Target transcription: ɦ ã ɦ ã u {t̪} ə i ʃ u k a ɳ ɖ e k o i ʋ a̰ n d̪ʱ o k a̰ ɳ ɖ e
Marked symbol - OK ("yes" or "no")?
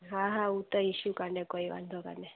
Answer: yes